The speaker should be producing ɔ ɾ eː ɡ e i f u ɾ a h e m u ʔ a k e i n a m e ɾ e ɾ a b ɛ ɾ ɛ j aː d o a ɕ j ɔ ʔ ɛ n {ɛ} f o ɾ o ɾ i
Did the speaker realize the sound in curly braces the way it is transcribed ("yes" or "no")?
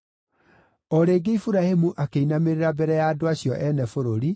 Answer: yes